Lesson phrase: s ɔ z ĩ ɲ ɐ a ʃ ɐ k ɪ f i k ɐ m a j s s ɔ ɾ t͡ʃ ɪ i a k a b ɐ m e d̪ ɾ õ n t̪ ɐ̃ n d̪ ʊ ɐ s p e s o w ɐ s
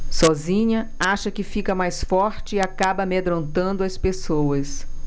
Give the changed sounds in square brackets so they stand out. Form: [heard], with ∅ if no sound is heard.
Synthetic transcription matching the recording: s ɔ z ĩ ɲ ɐ a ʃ ɐ k ɪ f i k ɐ m a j s [f] ɔ ɾ t͡ʃ ɪ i a k a b ɐ m e d̪ ɾ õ n t̪ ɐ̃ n d̪ ʊ ɐ s p e s o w ɐ s